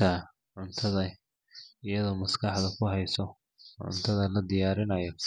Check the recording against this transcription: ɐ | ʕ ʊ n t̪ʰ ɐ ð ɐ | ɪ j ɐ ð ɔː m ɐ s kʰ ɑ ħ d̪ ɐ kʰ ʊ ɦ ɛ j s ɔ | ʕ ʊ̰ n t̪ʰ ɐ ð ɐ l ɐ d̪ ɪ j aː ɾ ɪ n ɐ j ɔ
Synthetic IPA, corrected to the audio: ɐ | ʕ ʊ n t̪ʰ ɐ ð ɐ | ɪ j ɐ ð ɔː m ɐ s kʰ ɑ ħ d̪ ɐ kʰ ʊ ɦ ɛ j s ɔ | ʕ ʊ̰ n t̪ʰ ɐ ð ɐ l ɐ d̪ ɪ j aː ɾ ɪ n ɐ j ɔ